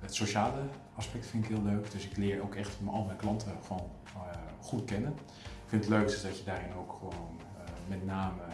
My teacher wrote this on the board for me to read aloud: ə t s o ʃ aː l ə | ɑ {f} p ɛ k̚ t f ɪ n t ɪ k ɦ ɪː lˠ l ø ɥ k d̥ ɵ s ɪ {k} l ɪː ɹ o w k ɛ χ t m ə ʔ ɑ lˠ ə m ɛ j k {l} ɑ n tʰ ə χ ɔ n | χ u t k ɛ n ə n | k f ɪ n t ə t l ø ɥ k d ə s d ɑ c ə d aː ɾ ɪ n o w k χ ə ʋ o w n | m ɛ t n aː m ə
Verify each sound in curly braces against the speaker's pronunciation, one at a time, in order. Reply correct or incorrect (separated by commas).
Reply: incorrect, correct, correct